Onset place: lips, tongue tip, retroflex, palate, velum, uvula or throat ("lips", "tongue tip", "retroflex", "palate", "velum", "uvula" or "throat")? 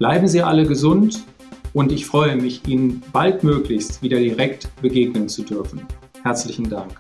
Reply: lips